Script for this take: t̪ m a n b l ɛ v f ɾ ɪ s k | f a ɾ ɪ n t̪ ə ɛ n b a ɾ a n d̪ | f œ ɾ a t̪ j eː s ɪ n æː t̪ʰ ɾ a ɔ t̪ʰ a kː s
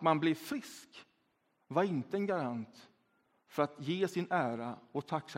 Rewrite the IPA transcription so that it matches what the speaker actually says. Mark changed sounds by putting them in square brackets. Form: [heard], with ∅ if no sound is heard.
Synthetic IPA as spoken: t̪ m a n b l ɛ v f ɾ ɪ s k | [v] a ɾ ɪ n t̪ ə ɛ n [ɡ] a ɾ a n [t̪] | f œ ɾ a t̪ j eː s ɪ n æː [∅] ɾ a ɔ t̪ʰ a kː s